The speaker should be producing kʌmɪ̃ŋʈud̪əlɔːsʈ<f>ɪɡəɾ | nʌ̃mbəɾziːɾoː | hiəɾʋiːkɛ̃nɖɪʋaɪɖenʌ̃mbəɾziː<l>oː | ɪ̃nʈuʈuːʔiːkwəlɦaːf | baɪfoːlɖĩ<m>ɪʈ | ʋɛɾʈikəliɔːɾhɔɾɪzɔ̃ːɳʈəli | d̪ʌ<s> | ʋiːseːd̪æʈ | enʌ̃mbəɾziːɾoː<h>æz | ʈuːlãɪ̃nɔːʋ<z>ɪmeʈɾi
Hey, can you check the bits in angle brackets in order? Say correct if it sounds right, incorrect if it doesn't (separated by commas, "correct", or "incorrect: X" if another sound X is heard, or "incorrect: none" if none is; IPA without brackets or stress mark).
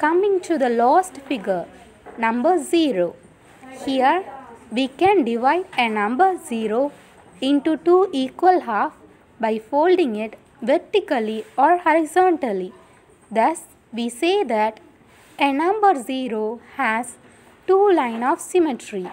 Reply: correct, incorrect: ɾ, incorrect: ŋ, correct, correct, incorrect: s